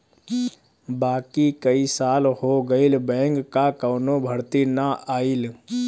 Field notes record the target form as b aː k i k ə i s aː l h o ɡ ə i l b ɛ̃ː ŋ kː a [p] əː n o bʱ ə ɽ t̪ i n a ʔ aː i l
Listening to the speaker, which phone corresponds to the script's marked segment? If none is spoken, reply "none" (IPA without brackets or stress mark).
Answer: k